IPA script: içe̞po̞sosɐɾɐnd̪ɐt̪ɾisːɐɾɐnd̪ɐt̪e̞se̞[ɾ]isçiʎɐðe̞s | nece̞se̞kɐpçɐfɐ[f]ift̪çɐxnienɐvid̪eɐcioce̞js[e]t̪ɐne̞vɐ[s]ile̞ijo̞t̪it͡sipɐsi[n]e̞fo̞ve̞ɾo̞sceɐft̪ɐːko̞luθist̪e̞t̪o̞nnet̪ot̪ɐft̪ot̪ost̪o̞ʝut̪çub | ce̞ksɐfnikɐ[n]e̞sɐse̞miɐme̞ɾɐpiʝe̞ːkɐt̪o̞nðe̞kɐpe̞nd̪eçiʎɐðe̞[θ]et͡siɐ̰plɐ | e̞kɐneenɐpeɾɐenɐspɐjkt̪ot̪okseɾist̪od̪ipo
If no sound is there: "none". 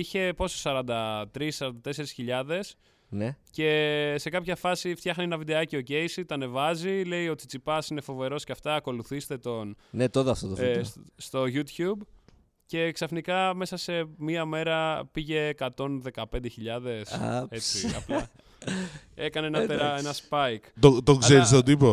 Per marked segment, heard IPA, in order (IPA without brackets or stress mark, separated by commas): ɾ, s, i, z, n, m, s